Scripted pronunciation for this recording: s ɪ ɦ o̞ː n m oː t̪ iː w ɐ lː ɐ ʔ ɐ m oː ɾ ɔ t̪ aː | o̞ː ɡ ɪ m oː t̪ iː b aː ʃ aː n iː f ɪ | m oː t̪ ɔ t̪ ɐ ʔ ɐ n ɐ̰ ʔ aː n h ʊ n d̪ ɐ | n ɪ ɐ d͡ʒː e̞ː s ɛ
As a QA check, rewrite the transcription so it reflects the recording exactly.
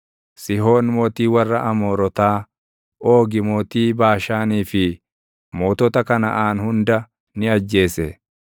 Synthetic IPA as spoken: s ɪ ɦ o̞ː n m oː t̪ iː w ɐ rː ɐ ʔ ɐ m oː ɾ ɔ t̪ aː | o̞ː ɡ ɪ m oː t̪ iː b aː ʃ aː n iː f ɪ | m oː t̪ ɔ t̪ ɐ k ɐ n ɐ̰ ʔ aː n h ʊ n d̪ ɐ | n ɪ ɐ d͡ʒː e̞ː s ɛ